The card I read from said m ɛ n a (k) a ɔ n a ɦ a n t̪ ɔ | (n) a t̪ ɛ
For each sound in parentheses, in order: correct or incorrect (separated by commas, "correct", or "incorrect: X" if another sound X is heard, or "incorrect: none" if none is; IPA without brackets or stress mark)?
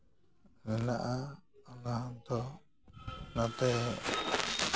incorrect: ʔ, correct